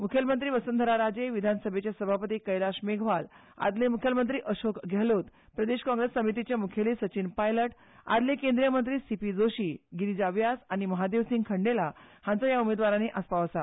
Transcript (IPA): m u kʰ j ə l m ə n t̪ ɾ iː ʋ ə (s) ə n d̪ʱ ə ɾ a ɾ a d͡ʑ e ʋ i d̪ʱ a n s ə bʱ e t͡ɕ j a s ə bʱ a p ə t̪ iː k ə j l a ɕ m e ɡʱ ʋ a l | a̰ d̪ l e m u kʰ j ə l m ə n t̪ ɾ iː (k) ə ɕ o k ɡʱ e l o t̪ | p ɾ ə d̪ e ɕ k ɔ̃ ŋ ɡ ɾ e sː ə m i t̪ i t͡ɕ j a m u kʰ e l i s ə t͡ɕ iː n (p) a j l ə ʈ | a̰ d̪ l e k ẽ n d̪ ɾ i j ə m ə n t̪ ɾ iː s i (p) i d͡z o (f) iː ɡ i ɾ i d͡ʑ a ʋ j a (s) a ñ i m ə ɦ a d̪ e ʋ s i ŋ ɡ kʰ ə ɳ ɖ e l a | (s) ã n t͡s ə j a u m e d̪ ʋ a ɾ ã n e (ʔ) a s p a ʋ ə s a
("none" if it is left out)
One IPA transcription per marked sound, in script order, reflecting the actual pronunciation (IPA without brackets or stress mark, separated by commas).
s, ʔ, p, p, ɕ, s, h, ʔ